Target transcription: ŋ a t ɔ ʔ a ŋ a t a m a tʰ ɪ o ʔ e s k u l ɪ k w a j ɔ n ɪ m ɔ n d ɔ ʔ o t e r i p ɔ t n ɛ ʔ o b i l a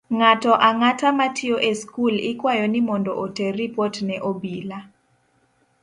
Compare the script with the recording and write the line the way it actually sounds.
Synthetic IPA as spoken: ŋ a t ɔ ʔ a ŋ a t a m a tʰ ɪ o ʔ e s k u l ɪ k w a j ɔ n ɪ m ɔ n d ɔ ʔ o t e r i p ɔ t n ɛ ʔ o b i l a